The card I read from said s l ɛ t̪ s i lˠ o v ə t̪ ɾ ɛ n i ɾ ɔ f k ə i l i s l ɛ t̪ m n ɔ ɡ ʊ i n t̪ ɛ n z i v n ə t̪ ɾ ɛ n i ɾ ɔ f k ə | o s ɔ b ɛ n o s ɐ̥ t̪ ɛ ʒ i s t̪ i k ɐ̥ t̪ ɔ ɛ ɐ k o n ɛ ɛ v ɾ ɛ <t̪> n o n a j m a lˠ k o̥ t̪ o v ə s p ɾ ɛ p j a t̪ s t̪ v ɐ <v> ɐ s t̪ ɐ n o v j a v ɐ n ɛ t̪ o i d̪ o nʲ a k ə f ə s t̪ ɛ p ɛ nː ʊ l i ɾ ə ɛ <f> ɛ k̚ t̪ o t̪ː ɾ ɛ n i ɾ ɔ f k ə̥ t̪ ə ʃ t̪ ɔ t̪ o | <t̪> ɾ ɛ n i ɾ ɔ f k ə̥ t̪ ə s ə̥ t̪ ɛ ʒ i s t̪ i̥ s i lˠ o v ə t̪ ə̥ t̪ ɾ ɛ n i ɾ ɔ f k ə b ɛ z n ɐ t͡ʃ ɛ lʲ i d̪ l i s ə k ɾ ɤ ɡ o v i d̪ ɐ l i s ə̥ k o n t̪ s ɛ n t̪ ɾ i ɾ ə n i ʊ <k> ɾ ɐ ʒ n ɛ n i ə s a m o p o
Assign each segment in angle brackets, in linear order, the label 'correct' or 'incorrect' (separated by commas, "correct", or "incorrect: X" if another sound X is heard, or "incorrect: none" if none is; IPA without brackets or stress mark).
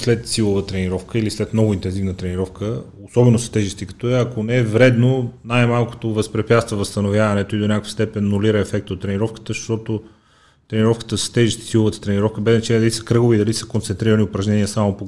incorrect: d̪, correct, correct, correct, incorrect: p